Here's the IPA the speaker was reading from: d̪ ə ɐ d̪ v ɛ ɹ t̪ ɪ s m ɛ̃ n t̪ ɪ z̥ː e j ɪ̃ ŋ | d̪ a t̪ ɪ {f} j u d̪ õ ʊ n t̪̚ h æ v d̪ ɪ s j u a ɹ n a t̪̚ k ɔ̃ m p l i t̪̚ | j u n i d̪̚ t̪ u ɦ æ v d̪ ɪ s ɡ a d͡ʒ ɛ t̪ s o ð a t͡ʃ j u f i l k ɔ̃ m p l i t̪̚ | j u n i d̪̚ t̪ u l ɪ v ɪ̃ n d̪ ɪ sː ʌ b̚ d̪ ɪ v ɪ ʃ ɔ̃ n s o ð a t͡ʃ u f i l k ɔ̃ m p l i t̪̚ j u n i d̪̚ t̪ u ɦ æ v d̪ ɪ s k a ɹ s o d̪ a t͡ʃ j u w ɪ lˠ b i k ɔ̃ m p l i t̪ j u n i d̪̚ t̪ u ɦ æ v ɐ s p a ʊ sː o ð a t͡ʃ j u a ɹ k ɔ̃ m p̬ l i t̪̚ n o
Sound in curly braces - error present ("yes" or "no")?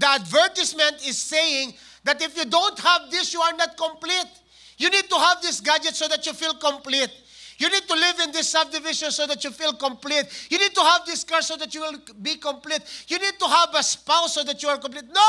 no